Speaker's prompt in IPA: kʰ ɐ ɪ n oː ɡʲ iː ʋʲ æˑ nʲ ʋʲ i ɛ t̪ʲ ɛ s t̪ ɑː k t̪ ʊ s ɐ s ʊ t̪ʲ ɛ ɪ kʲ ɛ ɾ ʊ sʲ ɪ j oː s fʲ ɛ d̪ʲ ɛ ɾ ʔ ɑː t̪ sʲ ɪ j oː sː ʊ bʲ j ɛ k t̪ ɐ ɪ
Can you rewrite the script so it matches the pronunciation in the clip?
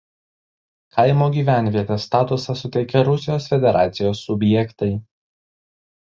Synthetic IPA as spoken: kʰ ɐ ɪ m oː ɡʲ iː ʋʲ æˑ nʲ ʋʲ i ɛ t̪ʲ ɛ s t̪ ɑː t̪ ʊ s ɐ s ʊ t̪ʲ ɛ ɪ kʲ ɛ ɾ ʊ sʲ ɪ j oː s fʲ ɛ d̪ʲ ɛ ɾ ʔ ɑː t̪ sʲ ɪ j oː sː ʊ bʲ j ɛ k t̪ ɐ ɪ

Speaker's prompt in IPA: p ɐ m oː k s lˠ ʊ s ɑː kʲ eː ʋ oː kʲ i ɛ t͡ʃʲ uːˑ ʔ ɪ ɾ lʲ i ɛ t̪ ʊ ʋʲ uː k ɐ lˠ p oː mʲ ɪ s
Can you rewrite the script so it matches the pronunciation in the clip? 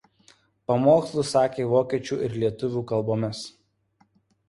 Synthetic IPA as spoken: p ɐ m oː k s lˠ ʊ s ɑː kʲ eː ʋ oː kʲ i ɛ t͡ʃʲ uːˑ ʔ ɪ ɾ lʲ i ɛ t̪ ʊ ʋʲ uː k ɐ lˠ b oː mʲ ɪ s

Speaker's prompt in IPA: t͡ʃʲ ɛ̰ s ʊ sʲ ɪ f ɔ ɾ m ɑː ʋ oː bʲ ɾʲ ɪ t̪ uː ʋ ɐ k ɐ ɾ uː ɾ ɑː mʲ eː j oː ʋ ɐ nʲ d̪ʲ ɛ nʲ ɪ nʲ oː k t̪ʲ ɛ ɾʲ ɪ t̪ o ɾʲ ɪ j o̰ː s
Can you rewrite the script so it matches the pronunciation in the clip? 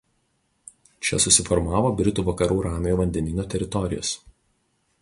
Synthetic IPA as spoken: t͡ʃʲ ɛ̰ s ʊ sʲ ɪ f ɔ ɾ m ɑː ʋ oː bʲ ɾʲ ɪ t̪ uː ʋ ɐ k ɐ ɾ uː ɾ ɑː mʲ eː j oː ʋ ɐ nʲ d̪ʲ ɛ nʲ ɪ nʲ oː t̪ʲ ɛ ɾʲ ɪ t̪ ɔ ɾʲ ɪ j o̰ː s

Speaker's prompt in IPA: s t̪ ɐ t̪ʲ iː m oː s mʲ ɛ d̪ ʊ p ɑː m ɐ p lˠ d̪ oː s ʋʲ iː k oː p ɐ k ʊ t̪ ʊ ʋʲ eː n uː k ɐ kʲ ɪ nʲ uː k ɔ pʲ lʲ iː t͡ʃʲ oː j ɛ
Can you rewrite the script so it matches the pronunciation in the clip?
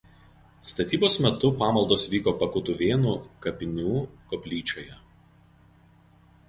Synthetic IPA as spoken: s t̪ ɐ t̪ʲ iː b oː s mʲ ɛ t̪ ʊ p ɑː m ɐ lˠ d̪ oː s ʋʲ iː k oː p ɐ k ʊ t̪ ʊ ʋʲ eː n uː k ɐ pʲ ɪ nʲ uː k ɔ pʲ lʲ iː t͡ʃʲ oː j ɛ

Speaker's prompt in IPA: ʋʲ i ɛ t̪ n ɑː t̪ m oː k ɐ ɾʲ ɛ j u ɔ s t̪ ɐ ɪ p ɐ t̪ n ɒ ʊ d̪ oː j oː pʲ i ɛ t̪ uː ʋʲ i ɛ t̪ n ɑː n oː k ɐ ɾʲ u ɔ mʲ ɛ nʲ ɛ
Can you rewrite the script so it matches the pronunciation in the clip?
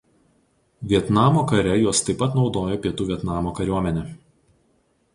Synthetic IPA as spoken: ʋʲ i ɛ t̪ n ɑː m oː k ɐ ɾʲ ɛ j u ɔ s t̪ ɐ ɪ p ɐ t̪ n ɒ ʊ d̪ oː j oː pʲ i ɛ t̪ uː ʋʲ i ɛ t̪ n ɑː m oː k ɐ ɾʲ u ɔ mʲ ɛ nʲ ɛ

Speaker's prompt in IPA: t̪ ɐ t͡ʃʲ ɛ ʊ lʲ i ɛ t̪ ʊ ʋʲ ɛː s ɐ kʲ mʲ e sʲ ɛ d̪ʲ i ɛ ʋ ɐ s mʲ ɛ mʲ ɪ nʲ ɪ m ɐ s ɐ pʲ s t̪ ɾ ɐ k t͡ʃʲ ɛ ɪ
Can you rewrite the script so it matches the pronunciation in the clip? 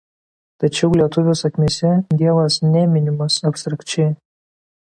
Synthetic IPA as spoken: t̪ ɐ t͡ʃʲ ɛ ʊ lʲ i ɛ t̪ ʊ ʋʲ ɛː s ɐ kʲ mʲ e sʲ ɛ d̪ʲ i ɛ ʋ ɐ s nʲ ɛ mʲ ɪ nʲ ɪ m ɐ s ɐ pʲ s t̪ ɾ ɐ k t͡ʃʲ ɛ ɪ

